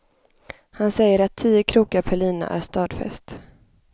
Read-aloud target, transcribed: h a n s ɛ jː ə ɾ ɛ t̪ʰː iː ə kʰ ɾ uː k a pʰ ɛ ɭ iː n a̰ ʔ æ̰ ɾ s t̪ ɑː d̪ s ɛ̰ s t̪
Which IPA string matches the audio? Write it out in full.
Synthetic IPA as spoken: h a n s ɛ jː ə ɾ a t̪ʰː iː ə kʰ ɾ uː k a pʰ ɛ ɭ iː n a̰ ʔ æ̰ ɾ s t̪ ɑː d̪ f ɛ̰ s t̪